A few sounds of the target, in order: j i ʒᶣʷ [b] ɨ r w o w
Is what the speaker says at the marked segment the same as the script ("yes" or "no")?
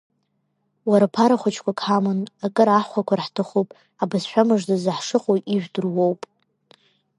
no